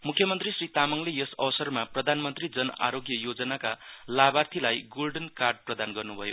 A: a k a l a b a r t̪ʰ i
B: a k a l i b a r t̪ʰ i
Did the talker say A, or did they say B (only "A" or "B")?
A